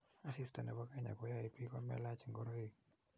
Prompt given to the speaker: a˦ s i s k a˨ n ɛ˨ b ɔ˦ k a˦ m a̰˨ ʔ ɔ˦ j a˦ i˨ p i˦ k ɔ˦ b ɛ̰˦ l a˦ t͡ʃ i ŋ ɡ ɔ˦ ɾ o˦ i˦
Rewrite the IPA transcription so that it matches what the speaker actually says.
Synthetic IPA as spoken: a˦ s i s t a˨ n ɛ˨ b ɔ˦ k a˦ ɲ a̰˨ k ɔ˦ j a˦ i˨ p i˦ k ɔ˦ m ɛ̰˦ l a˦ t͡ʃ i ŋ ɡ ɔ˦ ɾ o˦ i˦